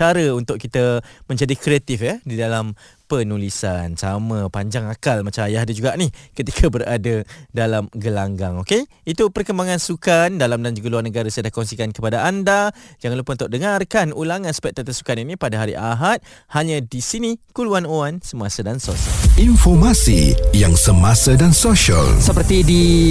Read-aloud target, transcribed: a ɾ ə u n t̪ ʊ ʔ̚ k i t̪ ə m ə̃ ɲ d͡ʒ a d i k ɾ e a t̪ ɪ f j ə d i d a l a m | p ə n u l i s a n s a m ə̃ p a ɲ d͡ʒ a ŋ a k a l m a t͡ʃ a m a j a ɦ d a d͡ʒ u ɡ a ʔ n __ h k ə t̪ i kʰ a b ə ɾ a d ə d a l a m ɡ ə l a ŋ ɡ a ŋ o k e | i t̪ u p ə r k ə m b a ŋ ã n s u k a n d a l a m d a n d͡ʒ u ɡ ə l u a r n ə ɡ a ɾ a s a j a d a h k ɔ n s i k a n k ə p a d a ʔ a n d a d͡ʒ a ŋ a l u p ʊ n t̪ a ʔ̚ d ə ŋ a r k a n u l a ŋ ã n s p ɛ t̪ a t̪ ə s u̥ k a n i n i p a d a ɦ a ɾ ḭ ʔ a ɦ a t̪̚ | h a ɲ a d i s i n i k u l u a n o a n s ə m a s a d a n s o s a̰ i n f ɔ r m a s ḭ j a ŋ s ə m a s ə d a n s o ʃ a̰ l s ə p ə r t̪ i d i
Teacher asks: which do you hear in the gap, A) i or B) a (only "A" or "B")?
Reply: A